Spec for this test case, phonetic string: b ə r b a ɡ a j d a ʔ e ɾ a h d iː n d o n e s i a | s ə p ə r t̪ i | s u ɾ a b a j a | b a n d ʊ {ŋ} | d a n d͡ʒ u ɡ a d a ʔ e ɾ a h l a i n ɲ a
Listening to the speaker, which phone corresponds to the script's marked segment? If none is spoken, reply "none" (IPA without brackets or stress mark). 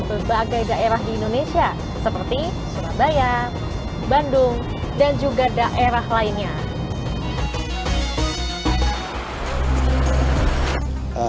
ŋ